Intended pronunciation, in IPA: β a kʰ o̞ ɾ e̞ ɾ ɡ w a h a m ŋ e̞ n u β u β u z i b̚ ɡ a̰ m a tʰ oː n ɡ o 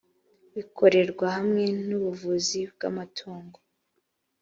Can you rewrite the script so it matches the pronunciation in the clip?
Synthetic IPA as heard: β i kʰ o̞ ɾ e̞ ɾ ɡ w a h a m ŋ e̞ n u β u v u z i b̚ ɡ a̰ m a tʰ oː ŋ ɡ o